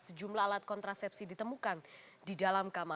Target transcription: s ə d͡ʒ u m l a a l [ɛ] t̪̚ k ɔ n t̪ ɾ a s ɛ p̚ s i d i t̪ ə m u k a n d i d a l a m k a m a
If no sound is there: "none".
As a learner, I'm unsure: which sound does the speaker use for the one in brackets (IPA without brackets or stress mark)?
a